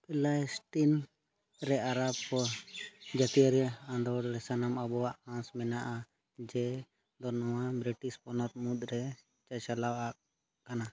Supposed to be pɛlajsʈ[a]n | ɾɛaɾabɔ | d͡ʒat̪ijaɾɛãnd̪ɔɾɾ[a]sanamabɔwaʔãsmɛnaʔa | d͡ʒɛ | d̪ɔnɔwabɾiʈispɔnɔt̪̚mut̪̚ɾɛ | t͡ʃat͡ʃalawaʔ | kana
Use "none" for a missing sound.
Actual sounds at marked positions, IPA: i, ɛ

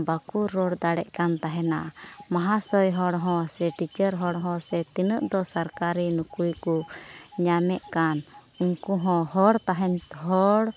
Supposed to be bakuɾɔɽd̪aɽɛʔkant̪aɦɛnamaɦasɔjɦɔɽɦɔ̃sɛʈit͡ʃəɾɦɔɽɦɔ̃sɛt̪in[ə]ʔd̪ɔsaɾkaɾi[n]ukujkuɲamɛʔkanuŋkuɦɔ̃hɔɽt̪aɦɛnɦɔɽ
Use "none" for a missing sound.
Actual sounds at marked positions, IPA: ə, n

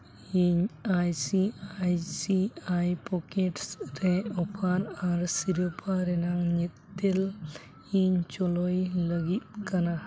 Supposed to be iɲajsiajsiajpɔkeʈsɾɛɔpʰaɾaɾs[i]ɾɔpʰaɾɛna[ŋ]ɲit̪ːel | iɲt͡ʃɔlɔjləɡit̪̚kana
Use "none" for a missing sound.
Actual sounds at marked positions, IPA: i, ŋ

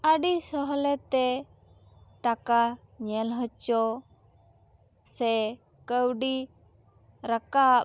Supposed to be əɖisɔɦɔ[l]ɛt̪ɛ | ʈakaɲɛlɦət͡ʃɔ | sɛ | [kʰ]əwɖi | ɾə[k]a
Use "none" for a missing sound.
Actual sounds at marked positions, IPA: l, k, k

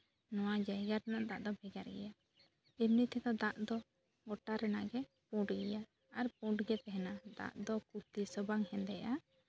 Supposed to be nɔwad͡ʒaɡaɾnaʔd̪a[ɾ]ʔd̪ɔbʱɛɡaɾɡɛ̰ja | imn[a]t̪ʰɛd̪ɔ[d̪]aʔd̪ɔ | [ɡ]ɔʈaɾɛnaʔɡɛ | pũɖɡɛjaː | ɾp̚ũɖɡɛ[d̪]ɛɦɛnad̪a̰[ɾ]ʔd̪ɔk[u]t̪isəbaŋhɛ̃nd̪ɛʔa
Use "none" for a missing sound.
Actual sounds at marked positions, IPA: none, i, d̪, ɡ, t̪, none, u

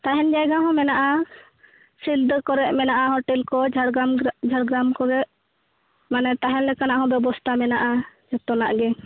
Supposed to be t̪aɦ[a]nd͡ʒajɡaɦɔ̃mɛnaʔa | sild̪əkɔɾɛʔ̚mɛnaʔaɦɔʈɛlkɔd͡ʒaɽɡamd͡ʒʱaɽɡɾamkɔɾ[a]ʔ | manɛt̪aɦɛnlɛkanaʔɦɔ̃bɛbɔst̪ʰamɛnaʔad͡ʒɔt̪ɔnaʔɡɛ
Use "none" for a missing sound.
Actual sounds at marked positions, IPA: ɛ, ɛ

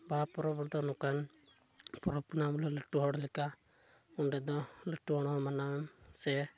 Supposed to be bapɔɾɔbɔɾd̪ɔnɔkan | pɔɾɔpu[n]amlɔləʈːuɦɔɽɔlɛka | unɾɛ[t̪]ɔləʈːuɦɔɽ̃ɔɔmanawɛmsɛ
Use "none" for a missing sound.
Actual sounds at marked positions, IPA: n, d̪

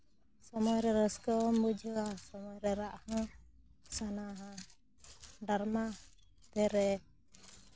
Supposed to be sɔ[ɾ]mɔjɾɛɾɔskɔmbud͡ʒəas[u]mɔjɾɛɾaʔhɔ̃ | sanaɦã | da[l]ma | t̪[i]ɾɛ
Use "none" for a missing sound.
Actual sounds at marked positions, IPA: none, ɔ, ɾ, ɛ

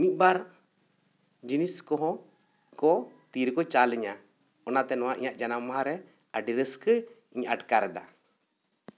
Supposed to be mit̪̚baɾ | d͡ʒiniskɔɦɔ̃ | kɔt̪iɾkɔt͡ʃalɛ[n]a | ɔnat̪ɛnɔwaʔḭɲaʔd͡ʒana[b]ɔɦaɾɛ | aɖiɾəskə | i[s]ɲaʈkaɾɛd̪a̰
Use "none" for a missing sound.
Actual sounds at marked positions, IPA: ɲ, m, none

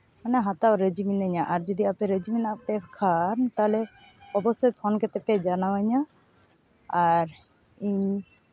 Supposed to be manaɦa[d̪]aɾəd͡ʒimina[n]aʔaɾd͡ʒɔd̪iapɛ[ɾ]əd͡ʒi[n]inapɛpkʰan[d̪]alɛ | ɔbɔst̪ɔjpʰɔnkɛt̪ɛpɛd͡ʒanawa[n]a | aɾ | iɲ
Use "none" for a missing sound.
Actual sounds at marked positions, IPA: t̪, ɲ, ɾ, m, t̪, ɲ

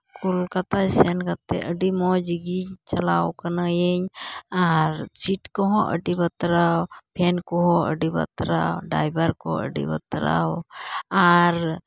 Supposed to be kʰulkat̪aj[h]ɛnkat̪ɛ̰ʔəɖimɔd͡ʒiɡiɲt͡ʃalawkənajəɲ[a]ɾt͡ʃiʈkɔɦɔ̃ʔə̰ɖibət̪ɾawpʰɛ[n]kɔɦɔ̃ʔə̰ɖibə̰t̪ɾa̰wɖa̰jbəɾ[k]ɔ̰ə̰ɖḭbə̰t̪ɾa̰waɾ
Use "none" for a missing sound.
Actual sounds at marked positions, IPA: s, a, n, k

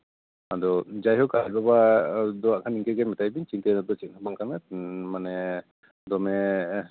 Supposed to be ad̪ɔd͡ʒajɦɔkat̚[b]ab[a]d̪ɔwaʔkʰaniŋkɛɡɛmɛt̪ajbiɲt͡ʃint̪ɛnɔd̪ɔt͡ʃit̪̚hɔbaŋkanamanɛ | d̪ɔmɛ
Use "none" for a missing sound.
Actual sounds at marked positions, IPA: b, a

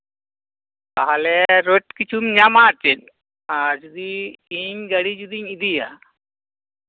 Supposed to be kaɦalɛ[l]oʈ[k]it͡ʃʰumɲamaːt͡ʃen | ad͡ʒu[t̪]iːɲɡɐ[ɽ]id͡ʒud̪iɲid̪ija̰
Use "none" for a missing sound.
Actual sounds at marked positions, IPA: ɾ, k, d̪, ɽ

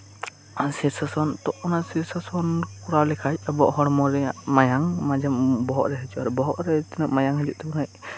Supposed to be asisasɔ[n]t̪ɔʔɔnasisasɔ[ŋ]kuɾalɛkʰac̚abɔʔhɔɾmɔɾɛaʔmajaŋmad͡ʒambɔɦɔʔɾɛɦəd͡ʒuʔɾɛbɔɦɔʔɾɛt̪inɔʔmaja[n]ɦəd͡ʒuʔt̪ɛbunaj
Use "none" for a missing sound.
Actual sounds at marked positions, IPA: n, n, ŋ

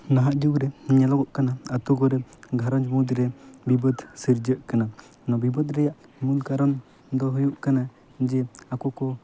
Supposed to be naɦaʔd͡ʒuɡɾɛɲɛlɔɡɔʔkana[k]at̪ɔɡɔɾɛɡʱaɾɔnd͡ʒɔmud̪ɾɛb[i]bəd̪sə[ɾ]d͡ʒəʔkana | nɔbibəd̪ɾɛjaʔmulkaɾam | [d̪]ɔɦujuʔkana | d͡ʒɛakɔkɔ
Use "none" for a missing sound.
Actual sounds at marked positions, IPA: none, i, ɾ, d̪

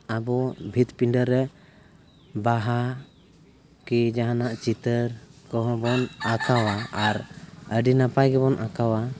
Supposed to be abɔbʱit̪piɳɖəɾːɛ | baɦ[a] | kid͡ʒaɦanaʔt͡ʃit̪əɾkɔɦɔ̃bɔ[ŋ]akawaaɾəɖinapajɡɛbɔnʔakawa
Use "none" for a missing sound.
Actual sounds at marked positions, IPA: a, n

